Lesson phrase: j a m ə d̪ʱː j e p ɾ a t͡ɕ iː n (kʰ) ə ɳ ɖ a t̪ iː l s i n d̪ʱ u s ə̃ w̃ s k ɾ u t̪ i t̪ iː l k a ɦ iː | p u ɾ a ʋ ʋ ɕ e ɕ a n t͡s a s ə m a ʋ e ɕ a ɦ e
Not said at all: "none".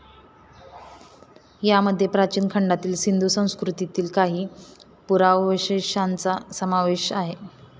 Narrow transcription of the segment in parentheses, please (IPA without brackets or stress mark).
kʰ